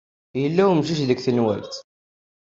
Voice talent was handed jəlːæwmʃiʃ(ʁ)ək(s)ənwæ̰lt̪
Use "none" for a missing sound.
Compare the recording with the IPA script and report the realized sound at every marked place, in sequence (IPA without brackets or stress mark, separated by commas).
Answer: ð, θ